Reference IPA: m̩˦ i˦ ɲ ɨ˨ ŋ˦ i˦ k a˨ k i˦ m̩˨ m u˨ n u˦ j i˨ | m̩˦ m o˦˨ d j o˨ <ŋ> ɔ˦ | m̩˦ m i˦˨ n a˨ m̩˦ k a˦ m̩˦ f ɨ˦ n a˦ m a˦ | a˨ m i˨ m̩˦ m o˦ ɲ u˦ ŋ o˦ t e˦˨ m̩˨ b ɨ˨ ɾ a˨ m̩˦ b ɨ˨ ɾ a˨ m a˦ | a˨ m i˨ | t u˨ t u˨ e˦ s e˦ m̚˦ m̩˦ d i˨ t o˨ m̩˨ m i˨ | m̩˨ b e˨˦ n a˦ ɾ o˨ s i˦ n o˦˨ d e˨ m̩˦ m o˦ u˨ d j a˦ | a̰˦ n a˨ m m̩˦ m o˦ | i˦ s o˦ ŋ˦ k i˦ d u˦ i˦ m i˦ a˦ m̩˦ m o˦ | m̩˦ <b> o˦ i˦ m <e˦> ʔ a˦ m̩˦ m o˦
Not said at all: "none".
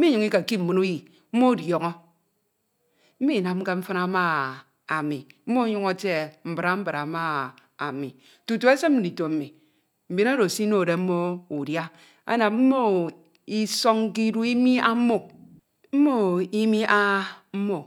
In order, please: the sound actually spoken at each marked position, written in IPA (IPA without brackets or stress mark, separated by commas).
ŋ, m, i˦